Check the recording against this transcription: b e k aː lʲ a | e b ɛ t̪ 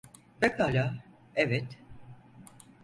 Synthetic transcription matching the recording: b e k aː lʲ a | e v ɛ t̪

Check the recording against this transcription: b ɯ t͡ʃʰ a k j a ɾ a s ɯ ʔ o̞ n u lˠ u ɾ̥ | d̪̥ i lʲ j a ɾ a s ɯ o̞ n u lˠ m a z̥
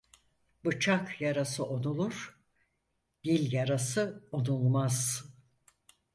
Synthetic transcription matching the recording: b ɯ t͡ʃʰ a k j a ɾ a s ɯ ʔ o̞ n u lˠ u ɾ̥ | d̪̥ i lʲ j a ɾ a s ɯ o̞ n u lˠ m a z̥

